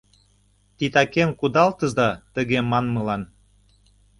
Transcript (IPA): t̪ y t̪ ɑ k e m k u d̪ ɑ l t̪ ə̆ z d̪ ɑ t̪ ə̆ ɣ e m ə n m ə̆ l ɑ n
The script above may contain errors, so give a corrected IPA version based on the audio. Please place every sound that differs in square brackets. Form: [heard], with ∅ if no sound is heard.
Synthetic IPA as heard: t̪ [i] t̪ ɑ k e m k u d̪ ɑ l t̪ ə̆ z d̪ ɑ t̪ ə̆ ɣ e m [ɑ] n m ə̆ l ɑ n